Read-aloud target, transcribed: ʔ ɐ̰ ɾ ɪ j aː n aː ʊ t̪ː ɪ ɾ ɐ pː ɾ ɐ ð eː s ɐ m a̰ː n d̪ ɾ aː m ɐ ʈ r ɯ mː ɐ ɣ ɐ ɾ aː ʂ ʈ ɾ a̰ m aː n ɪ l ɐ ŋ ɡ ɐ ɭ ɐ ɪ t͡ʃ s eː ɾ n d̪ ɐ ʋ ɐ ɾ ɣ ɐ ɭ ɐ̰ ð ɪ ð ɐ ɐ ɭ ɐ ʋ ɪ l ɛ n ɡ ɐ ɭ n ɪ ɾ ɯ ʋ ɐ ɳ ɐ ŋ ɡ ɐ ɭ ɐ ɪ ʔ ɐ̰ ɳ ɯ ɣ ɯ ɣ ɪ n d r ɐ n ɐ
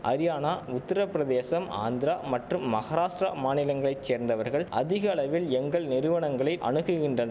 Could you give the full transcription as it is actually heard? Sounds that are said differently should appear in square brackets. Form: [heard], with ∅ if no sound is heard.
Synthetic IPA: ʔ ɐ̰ ɾ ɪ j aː n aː ʊ t̪ː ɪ ɾ ɐ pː ɾ ɐ ð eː s ɐ m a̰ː n d̪ ɾ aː m ɐ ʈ r ɯ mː ɐ ɣ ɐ ɾ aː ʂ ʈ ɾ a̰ m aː n ɪ l ɐ ŋ ɡ ɐ ɭ ɐ ɪ t͡ʃ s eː ɾ n d̪ ɐ ʋ ɐ ɾ ɣ ɐ ɭ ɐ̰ ð ɪ [ɣ] ɐ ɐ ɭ ɐ ʋ ɪ l ɛ [ŋ] ɡ ɐ ɭ n ɪ ɾ ɯ ʋ ɐ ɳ ɐ ŋ ɡ ɐ ɭ ɐ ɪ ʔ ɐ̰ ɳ ɯ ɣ ɯ ɣ ɪ n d r ɐ n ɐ